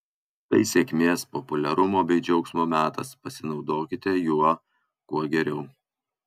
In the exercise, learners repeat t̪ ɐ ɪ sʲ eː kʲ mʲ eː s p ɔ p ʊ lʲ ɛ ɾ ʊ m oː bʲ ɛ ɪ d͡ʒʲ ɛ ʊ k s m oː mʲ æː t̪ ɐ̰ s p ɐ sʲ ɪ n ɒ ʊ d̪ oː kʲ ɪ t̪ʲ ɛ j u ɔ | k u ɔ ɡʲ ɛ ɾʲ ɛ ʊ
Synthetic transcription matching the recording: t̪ ɐ ɪ sʲ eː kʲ mʲ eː s p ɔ p ʊ lʲ ɛ ɾ ʊ m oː bʲ ɛ ɪ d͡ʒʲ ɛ ʊ k s m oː mʲ æː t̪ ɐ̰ s p ɐ sʲ ɪ n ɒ ʊ d̪ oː kʲ ɪ t̪ʲ ɛ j u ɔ | k u ɔ ɡʲ ɛ ɾʲ ɛ ʊ

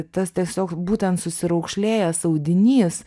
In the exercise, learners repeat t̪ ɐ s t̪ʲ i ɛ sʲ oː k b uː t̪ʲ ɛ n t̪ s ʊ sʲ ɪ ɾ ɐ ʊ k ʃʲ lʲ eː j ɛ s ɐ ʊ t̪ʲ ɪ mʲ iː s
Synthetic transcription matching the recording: t̪ ɐ s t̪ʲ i ɛ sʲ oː k b uː t̪ʲ ɛ n t̪ s ʊ sʲ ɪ ɾ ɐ ʊ k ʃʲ lʲ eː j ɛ s ɐ ʊ d̪ʲ ɪ nʲ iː s

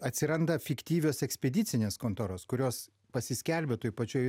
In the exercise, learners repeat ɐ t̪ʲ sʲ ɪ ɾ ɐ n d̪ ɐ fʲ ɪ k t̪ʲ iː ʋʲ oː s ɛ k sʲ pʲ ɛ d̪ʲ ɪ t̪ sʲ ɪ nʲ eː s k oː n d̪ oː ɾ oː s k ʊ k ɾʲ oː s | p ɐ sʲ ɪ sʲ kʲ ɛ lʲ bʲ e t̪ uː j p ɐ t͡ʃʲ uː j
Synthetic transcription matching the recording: ɐ t̪ʲ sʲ ɪ ɾ ɐ n d̪ ɐ fʲ ɪ k t̪ʲ iː ʋʲ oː s ɛ k sʲ pʲ ɛ d̪ʲ ɪ t̪ sʲ ɪ nʲ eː s k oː n t̪ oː ɾ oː s k ʊ ɾʲ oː s | p ɐ sʲ ɪ sʲ kʲ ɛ lʲ bʲ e t̪ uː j p ɐ t͡ʃʲ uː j

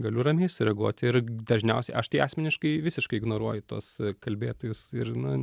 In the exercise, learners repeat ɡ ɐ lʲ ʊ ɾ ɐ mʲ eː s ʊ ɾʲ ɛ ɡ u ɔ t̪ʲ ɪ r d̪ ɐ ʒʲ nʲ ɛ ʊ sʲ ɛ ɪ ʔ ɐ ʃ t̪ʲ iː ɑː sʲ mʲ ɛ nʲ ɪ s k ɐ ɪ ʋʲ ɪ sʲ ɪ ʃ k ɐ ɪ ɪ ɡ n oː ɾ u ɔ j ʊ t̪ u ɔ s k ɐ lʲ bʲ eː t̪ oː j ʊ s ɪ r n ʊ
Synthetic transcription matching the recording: ɡ ɐ lʲ ʊ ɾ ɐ mʲ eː s ʊ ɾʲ ɛ ɡ u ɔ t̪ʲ ɪ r d̪ ɐ ʒʲ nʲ ɛ ʊ sʲ ɛ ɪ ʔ ɐ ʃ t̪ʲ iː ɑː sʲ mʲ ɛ nʲ ɪ ʃ k ɐ ɪ ʋʲ ɪ sʲ ɪ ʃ k ɐ ɪ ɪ ɡ n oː ɾ u ɔ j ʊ t̪ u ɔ s k ɐ lʲ bʲ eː t̪ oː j ʊ s ɪ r n ʊ

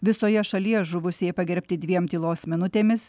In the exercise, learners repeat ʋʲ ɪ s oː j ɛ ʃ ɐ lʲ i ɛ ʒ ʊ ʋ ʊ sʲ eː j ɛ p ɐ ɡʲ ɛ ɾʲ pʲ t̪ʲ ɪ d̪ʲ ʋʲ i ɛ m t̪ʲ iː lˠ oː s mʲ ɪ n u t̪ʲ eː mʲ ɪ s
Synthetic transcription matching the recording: ʋʲ ɪ s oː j ɛ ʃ ɐ lʲ i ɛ ʒ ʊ ʋ ʊ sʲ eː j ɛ p ɐ ɡʲ ɛ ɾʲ pʲ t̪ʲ ɪ d̪ʲ ʋʲ i ɛ m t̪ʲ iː lˠ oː s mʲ ɪ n ʊ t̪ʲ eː mʲ ɪ s

